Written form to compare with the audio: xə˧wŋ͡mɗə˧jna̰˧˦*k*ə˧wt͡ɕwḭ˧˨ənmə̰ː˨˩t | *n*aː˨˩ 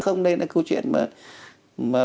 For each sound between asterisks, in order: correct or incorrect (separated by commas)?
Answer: correct, incorrect